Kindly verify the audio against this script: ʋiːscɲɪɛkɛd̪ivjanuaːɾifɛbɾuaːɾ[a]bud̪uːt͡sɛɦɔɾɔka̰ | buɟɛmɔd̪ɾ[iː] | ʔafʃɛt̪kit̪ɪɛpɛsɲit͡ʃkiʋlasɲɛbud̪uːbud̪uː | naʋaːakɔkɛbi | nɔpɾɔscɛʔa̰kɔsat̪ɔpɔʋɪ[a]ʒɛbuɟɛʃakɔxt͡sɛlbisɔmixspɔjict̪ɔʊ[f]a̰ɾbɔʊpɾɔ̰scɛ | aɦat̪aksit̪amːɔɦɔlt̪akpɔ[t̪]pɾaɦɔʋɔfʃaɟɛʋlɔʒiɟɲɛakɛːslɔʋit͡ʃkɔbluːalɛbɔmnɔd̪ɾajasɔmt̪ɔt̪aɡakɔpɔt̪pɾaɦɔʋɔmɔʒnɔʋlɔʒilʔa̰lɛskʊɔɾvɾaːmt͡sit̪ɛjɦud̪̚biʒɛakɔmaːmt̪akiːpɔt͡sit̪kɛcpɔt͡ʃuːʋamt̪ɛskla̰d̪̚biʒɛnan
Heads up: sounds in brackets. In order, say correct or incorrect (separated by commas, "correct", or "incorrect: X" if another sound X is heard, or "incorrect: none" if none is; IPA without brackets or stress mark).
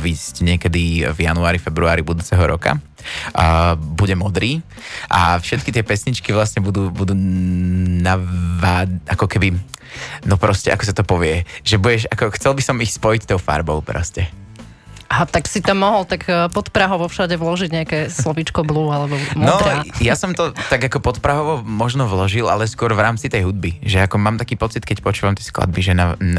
incorrect: i, correct, incorrect: ɛ, correct, correct